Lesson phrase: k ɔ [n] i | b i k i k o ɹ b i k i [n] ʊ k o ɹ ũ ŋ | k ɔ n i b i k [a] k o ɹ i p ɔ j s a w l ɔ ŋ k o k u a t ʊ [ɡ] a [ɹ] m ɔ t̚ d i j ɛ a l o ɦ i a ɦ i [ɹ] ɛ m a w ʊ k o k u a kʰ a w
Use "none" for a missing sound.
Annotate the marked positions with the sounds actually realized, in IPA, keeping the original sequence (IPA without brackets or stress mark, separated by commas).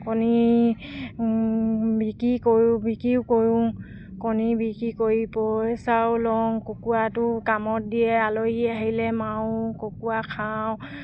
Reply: n, none, i, k, none, l